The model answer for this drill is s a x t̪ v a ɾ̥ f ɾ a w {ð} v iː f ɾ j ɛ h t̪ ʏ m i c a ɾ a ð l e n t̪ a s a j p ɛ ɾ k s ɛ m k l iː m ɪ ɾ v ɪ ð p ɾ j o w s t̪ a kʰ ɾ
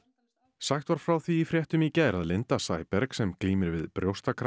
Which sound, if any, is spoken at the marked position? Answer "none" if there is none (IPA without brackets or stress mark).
θ